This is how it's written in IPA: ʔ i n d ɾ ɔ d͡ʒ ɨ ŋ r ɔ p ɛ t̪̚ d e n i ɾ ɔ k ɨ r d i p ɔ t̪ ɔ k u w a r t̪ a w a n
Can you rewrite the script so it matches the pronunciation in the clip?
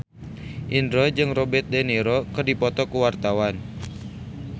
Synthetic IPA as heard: ʔ i n d ɾ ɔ d͡ʒ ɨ ŋ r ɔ b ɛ t̪̚ d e n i ɾ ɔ k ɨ r d i p ɔ t̪ ɔ k u w a r t̪ a w a n